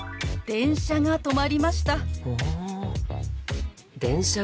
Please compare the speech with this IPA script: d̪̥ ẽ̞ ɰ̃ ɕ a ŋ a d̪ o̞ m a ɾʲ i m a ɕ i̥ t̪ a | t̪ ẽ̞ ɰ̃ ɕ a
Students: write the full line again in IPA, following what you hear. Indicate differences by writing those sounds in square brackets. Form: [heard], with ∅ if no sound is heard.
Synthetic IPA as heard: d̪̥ ẽ̞ ɰ̃ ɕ a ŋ a [t̪] o̞ m a ɾʲ i m a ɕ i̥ t̪ a | [d̪] ẽ̞ ɰ̃ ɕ a